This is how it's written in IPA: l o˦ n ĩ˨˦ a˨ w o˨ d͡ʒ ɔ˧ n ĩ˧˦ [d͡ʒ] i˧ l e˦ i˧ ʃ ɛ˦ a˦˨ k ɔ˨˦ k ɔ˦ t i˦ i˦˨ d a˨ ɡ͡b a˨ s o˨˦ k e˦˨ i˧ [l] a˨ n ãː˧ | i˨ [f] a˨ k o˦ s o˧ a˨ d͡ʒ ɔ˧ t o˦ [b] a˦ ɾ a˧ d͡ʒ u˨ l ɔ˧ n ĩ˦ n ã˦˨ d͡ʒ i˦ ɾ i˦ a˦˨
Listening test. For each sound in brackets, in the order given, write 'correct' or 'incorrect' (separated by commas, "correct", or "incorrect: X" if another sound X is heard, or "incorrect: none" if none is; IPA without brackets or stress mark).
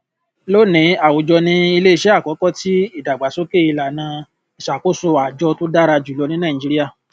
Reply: incorrect: none, correct, incorrect: ʃ, incorrect: d